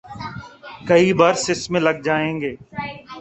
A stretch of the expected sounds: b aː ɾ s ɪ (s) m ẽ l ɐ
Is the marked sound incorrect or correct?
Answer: correct